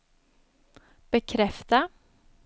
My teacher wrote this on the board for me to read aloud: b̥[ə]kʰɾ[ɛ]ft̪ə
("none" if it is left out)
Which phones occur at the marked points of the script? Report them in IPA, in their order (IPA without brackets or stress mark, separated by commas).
ə, ɛ